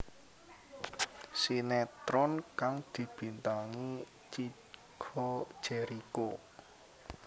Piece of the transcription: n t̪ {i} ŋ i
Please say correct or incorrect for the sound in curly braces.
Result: incorrect